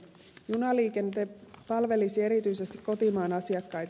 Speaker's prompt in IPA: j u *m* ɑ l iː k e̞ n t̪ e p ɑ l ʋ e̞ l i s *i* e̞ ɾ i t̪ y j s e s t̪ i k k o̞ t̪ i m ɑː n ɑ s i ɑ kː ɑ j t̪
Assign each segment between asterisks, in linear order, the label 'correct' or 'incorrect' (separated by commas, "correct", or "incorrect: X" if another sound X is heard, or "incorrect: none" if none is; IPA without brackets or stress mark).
incorrect: n, correct